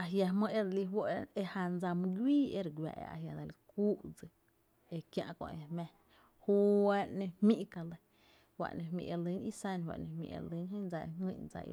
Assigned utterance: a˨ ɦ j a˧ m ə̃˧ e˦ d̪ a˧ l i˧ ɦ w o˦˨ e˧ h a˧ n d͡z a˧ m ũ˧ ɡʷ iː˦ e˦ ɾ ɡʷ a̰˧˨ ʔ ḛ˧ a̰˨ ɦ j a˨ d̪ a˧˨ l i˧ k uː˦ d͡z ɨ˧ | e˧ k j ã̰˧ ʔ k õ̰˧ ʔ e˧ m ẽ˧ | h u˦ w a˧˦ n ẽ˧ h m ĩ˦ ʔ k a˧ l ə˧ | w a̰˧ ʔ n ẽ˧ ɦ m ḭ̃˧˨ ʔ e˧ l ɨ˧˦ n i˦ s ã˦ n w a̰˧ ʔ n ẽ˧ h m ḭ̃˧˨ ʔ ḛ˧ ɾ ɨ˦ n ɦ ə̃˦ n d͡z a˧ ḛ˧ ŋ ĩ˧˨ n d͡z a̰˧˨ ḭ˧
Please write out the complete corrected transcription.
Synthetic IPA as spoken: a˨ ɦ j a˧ m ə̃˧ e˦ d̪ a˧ l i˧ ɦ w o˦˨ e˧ h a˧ n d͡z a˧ m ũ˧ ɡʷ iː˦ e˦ ɾ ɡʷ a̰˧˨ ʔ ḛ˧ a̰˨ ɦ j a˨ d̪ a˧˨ l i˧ k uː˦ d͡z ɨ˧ | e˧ k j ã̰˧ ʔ k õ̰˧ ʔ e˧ m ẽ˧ | h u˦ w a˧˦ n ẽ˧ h m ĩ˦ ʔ k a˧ l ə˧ | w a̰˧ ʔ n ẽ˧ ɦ m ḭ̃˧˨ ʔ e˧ l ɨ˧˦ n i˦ s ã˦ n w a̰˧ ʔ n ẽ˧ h m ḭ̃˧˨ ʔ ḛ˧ l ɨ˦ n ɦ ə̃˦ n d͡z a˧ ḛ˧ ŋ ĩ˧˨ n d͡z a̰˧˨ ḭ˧